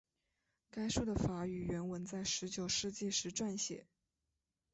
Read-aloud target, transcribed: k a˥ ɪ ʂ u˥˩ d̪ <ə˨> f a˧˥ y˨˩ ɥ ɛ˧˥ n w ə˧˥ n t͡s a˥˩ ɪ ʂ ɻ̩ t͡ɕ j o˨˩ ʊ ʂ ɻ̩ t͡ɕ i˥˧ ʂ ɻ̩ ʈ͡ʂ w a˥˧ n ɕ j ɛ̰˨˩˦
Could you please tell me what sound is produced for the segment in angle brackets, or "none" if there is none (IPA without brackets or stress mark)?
ə˨